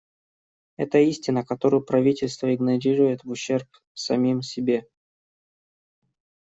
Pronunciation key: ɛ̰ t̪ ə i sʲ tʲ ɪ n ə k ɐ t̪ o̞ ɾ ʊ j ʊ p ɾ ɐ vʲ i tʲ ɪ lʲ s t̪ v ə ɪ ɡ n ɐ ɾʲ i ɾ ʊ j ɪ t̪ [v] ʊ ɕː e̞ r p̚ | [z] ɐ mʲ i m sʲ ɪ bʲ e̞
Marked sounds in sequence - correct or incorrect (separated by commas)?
correct, incorrect